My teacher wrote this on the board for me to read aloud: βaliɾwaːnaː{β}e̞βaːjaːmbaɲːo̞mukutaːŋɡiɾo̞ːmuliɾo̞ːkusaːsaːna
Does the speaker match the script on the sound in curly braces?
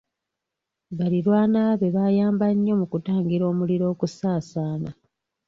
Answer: yes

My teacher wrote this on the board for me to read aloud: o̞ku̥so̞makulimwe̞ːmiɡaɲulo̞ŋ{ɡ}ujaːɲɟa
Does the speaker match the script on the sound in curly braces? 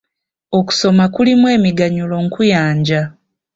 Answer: no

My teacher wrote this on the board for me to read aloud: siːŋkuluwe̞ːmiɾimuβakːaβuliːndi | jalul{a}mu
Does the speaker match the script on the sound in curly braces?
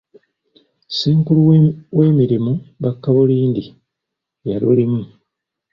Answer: no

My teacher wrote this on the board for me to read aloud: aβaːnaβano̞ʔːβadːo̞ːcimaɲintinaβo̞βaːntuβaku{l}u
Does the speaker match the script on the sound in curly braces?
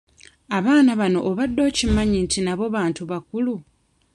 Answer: yes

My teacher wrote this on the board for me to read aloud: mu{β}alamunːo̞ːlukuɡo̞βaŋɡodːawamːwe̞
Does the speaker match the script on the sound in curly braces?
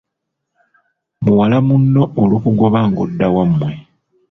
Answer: no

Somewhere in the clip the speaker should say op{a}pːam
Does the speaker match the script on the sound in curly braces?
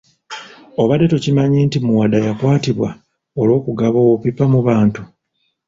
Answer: no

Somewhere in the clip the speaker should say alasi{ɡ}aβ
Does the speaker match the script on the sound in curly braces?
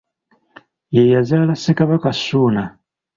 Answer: no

